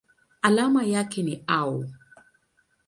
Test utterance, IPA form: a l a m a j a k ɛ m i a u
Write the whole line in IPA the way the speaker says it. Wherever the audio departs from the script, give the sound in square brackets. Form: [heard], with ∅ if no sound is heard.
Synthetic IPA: a l a m a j a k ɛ [n] i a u